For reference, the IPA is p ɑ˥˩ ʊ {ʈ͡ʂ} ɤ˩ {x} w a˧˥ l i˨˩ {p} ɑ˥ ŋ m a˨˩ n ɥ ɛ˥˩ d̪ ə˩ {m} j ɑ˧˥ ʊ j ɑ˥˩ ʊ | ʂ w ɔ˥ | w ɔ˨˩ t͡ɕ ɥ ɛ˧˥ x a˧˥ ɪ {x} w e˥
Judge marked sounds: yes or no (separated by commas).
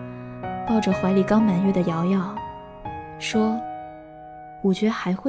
yes, yes, no, no, yes